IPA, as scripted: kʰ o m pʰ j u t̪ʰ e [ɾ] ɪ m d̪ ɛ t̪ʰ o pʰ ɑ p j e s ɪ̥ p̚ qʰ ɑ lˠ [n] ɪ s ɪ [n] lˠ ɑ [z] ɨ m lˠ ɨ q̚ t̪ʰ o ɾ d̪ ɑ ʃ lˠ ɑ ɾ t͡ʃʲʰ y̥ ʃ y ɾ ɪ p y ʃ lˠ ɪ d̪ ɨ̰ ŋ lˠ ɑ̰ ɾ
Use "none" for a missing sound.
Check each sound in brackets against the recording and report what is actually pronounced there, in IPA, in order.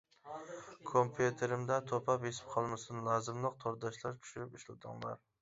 ɾ, m, n, z

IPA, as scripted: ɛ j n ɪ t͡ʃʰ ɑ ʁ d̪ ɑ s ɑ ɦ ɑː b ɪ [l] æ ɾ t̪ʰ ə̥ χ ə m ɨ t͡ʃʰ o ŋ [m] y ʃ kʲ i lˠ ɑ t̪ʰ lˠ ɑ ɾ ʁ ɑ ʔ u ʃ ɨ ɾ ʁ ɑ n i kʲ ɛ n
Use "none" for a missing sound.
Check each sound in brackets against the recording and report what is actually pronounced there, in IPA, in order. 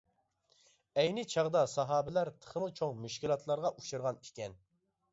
l, m

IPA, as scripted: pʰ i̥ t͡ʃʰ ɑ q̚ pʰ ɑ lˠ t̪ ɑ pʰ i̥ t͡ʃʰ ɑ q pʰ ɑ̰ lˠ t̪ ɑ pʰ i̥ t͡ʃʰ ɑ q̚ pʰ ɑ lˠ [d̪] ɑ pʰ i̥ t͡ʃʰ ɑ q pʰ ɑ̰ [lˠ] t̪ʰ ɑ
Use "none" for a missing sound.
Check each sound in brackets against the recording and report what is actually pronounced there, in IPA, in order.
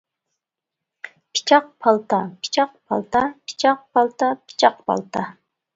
t̪, lˠ

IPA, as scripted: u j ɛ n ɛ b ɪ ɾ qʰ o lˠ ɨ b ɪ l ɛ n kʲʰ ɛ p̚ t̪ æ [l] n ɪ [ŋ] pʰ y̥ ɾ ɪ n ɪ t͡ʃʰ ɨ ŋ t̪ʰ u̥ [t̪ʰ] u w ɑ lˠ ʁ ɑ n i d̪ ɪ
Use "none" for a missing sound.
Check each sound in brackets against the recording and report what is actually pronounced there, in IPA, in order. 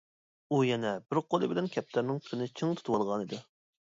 ɾ, ŋ, t̪

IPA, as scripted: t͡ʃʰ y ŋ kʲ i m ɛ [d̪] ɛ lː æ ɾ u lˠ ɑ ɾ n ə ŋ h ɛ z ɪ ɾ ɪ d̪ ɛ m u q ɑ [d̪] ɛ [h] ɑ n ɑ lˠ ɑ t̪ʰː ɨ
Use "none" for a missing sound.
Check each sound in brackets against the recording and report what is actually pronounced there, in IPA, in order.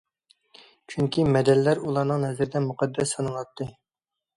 d̪, d̪ː, s

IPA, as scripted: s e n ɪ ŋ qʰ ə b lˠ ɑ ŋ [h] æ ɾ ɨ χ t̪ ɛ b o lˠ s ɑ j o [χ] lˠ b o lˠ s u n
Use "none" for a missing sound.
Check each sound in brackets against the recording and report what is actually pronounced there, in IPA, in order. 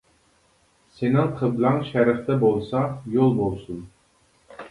ʃ, none

